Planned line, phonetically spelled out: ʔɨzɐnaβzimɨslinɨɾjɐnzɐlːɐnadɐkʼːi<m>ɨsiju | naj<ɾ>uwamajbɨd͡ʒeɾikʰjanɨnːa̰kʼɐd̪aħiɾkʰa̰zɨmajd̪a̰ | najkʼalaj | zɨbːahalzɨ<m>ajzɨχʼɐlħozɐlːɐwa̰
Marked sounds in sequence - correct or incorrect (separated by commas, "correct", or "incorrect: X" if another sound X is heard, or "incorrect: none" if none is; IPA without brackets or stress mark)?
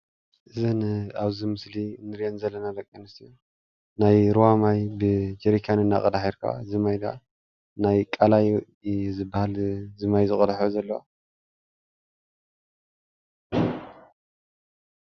incorrect: n, correct, correct